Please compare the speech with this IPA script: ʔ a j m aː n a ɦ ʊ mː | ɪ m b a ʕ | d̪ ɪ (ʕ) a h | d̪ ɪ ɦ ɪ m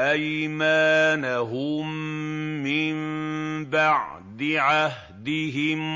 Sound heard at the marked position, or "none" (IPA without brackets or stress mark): ʕ